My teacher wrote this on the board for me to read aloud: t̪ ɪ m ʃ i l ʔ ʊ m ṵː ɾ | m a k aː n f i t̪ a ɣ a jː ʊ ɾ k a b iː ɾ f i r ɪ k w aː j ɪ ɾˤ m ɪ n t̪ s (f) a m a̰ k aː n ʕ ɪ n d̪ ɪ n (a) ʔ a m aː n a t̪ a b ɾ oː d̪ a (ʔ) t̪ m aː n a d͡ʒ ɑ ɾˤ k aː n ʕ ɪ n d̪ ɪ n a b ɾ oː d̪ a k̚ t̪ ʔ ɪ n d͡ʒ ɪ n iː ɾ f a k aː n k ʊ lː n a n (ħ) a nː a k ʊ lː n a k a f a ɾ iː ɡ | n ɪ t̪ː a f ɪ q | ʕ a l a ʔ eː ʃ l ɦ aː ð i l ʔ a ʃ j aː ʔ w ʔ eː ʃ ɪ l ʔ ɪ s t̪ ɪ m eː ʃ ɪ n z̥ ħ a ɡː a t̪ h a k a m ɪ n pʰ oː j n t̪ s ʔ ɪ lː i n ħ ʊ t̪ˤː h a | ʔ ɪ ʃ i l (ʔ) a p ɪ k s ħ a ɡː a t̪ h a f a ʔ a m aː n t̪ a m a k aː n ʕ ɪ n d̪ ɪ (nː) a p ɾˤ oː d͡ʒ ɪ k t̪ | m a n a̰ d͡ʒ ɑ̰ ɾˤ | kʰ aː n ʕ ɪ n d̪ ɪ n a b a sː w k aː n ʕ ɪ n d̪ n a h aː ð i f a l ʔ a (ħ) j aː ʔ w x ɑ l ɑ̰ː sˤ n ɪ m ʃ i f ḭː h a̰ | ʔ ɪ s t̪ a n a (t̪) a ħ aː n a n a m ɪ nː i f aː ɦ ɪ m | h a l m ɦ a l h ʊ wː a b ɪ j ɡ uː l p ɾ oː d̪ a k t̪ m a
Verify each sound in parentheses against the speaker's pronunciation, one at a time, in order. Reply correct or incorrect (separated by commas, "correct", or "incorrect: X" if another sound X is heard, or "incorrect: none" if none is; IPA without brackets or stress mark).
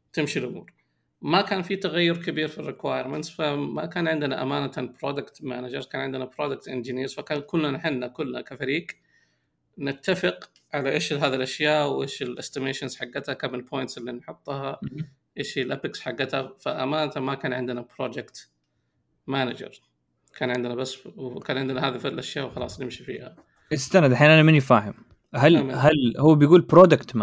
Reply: correct, correct, incorrect: k, correct, correct, incorrect: n, incorrect: ʃ, incorrect: d̪